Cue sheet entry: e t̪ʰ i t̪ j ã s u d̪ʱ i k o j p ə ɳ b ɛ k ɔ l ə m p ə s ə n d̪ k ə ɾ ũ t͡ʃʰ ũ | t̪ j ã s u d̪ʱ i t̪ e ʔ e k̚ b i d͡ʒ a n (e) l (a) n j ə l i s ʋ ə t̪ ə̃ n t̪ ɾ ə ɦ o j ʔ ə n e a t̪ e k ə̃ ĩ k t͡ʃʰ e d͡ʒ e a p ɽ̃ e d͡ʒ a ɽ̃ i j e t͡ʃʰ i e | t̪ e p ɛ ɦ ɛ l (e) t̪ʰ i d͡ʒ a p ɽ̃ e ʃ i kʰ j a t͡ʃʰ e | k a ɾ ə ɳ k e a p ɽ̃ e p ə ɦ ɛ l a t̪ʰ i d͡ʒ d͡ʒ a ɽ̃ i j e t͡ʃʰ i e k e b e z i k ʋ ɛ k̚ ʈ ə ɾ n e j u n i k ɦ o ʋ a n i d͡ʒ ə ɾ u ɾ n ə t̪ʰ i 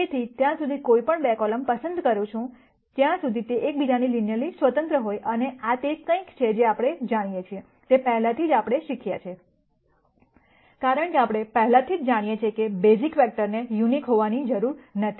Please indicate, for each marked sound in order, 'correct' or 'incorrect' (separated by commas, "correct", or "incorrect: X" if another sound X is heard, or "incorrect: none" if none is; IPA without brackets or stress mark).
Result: incorrect: i, incorrect: i, incorrect: a